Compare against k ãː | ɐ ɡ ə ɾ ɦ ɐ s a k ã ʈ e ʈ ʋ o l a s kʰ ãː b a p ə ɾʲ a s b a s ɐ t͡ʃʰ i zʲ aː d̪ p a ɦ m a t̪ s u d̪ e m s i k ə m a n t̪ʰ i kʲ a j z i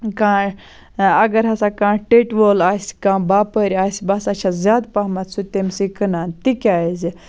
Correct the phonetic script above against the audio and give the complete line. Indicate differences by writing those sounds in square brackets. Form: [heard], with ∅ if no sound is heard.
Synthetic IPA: k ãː | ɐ ɡ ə ɾ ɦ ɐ s a k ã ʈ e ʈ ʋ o l a s [k] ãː b a p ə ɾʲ a s b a s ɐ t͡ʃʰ [a] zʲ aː d̪ p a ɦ m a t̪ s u [t̪] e m s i k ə [n] a n [t̪] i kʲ a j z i